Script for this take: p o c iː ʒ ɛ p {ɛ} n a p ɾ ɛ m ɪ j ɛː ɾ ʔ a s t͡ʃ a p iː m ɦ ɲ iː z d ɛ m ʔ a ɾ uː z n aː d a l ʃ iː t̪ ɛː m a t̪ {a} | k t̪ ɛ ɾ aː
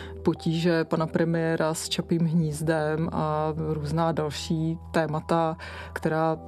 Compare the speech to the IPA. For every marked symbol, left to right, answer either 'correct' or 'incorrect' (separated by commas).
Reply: incorrect, correct